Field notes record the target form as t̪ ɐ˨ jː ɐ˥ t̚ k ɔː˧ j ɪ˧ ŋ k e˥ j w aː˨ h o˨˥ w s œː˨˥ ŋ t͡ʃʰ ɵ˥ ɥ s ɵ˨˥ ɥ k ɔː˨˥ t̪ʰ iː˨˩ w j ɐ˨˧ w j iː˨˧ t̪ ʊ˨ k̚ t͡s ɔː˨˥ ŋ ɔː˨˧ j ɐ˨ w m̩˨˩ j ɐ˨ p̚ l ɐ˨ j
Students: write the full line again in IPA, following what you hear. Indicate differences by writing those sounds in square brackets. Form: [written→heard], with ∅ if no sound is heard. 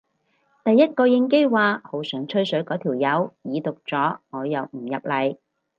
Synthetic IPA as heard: t̪ ɐ˨ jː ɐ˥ t̚ k ɔː˧ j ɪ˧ ŋ k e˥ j w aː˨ h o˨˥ w s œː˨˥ ŋ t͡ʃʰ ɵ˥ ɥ s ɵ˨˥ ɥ k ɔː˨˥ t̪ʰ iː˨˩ w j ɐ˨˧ w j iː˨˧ t̪ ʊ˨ k̚ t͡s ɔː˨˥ ŋ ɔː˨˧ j ɐ˨ w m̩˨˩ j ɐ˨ p̚ l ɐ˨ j